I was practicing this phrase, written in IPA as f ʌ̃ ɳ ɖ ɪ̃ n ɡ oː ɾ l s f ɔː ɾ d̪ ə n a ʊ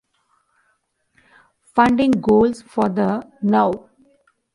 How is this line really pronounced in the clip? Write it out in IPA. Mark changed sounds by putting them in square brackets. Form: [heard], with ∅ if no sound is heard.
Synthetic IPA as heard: f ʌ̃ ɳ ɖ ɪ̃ [ŋ] ɡ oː [∅] l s f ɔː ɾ d̪ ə n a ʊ